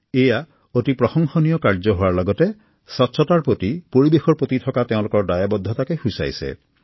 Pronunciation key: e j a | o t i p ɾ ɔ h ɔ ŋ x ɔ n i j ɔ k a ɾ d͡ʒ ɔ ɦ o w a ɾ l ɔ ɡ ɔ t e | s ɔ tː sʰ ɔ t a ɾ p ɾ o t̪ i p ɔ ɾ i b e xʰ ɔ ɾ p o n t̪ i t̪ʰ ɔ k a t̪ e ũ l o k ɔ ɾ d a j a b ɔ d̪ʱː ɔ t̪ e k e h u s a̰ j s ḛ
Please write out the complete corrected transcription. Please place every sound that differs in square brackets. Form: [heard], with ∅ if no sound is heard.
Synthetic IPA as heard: e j a | o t i p ɾ ɔ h ɔ ŋ x ɔ n i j ɔ k a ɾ d͡ʒ ɔ ɦ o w a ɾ l ɔ ɡ ɔ t e | s ɔ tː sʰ ɔ t a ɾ p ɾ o t̪ i p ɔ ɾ i b e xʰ ɔ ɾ p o [∅] t̪ i t̪ʰ ɔ k a t̪ e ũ l o k ɔ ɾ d a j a b ɔ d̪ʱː ɔ t̪ [a] k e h u s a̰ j s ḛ